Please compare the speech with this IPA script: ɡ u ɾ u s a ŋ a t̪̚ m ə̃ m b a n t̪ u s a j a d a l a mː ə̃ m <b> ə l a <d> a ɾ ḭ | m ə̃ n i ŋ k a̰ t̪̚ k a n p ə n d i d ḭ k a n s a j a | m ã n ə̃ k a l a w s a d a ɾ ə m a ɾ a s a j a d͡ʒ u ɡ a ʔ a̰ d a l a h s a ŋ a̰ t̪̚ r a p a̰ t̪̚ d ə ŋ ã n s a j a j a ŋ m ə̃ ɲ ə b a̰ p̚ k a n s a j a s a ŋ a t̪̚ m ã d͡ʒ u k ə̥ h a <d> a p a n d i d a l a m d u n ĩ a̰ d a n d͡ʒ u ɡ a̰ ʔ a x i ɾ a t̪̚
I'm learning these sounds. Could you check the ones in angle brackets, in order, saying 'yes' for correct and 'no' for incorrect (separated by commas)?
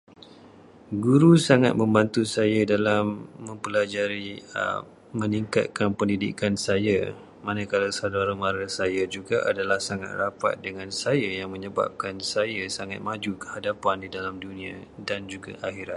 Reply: no, no, yes